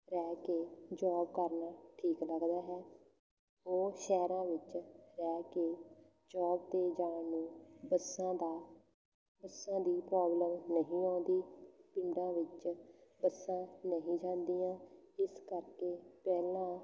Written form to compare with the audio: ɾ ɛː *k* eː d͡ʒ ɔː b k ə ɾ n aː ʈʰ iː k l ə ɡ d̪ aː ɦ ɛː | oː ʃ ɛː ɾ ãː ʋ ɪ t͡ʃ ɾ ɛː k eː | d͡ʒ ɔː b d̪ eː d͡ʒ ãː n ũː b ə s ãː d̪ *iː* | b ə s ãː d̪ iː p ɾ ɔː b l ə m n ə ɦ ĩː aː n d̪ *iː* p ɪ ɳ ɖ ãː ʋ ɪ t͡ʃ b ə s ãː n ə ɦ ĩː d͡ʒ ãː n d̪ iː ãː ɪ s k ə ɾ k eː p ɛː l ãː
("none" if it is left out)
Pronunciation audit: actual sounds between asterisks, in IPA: k, aː, iː

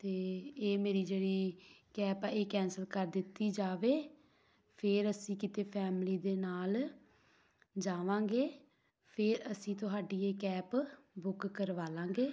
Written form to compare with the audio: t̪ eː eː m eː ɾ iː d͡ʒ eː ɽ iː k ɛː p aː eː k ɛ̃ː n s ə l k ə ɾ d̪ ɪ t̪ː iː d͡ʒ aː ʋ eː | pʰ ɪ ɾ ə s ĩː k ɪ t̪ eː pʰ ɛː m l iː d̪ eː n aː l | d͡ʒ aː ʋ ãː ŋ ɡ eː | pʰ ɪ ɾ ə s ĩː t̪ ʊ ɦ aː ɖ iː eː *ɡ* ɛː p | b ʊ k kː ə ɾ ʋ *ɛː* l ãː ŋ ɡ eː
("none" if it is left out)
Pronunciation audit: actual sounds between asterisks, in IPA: k, aː

